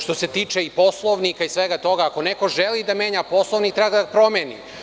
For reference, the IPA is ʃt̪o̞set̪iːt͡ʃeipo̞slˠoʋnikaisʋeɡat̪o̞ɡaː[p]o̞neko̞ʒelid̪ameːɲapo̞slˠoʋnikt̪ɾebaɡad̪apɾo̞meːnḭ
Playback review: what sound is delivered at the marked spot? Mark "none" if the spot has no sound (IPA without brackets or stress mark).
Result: k